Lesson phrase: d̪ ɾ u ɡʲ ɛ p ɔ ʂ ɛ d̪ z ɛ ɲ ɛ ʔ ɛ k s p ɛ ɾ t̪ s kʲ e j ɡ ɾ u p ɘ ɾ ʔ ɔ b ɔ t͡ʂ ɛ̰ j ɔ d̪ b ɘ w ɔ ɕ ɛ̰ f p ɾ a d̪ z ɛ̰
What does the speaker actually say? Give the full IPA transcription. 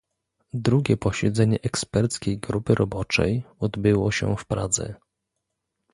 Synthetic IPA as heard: d̪ ɾ u ɡʲ ɛ p ɔ ɕ ɛ d̪ z ɛ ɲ ɛ ʔ ɛ k s p ɛ ɾ t̪ s kʲ e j ɡ ɾ u p ɘ ɾ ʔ ɔ b ɔ t͡ʂ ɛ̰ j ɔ d̪ b ɘ w ɔ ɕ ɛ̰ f p ɾ a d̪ z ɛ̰